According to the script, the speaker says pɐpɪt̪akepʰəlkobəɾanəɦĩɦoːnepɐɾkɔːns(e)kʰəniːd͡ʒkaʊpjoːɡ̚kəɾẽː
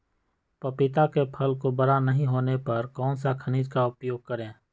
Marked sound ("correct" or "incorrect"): incorrect